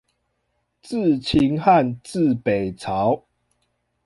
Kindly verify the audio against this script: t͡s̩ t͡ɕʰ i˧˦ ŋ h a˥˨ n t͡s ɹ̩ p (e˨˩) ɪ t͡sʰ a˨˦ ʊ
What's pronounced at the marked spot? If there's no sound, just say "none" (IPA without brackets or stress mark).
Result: e˨˩